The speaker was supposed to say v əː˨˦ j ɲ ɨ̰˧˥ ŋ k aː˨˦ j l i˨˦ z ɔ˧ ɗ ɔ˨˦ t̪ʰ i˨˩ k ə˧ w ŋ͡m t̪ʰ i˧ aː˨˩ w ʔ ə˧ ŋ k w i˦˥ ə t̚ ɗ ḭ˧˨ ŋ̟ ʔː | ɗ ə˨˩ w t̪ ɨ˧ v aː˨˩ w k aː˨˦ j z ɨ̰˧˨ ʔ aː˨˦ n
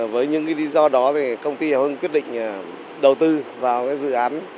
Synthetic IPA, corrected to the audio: v əː˨˦ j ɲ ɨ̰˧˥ ŋ k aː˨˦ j l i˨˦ z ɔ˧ ɗ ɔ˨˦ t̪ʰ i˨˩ k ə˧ w ŋ͡m t̪ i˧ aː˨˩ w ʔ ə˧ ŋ k w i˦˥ ə t̚ ɗ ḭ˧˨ ŋ̟ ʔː | ɗ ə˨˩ w t̪ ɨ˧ v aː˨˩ w k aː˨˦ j z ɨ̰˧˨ ʔ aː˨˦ n